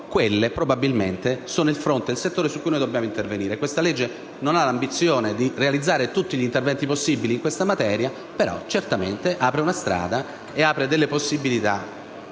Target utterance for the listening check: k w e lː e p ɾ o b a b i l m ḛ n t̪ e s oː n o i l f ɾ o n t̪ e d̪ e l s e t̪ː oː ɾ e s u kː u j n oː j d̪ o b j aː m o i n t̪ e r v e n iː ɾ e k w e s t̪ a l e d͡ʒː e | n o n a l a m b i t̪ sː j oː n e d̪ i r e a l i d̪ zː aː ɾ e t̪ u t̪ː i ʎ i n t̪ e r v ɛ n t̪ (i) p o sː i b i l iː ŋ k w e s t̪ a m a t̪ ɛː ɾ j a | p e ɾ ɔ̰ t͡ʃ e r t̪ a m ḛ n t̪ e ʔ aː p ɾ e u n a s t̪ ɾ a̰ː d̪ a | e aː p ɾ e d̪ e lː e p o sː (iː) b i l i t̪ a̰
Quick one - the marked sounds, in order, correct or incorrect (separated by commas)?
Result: correct, incorrect